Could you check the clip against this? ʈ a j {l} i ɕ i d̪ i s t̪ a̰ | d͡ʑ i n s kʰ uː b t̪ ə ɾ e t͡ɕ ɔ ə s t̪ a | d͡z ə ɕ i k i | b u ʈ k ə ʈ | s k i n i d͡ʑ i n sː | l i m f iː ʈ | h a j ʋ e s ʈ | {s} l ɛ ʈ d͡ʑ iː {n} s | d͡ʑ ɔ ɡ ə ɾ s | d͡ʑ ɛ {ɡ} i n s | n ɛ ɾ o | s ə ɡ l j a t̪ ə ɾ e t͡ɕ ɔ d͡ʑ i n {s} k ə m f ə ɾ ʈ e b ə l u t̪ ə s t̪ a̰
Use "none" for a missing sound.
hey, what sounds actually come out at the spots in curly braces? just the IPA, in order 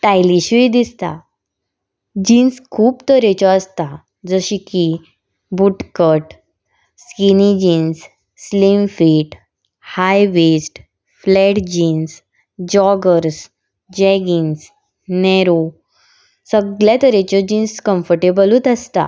l, f, n, ɡ, s

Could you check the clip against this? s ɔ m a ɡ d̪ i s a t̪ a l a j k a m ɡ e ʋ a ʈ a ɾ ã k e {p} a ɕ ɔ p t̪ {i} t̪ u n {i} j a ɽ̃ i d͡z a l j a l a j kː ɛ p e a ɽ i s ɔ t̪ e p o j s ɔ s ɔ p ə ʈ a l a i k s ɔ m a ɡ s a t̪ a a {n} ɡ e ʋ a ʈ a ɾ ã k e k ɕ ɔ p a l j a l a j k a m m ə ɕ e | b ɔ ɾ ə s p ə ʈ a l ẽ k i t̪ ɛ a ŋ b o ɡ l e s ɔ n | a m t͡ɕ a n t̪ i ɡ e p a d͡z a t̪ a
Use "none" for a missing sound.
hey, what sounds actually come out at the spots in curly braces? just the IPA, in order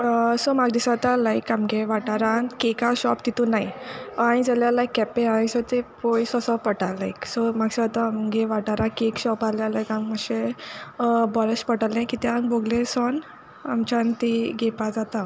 k, i, a, m

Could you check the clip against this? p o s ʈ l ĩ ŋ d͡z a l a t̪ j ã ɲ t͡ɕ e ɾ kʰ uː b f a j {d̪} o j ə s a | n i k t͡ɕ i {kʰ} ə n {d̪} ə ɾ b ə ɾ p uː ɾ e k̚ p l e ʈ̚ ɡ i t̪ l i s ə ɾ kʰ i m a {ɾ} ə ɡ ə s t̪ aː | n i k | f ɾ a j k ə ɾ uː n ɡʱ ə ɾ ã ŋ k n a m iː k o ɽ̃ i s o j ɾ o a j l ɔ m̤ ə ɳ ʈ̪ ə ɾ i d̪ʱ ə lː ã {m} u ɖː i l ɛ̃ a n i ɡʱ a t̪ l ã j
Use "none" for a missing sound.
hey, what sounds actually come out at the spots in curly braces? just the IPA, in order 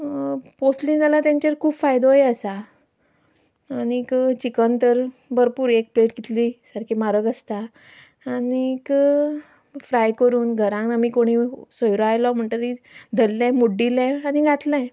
d̪, k, t̪, ɾ, m

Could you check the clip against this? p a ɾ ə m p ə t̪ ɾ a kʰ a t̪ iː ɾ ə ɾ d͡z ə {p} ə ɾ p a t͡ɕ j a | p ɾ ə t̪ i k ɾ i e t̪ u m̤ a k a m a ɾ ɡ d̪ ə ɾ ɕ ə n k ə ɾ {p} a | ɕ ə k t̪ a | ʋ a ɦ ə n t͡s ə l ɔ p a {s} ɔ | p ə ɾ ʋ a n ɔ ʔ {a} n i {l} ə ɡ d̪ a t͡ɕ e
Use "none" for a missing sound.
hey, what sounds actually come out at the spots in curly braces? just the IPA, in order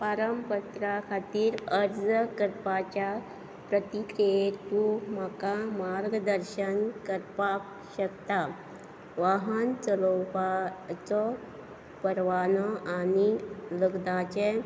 k, p, t͡s, a, l

